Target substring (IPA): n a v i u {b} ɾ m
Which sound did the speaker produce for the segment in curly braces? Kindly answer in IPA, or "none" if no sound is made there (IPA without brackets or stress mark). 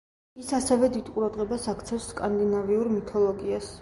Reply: none